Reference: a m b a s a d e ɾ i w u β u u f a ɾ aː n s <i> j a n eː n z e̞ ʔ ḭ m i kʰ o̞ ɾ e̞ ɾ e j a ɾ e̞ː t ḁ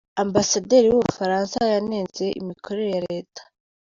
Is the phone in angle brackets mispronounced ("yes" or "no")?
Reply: yes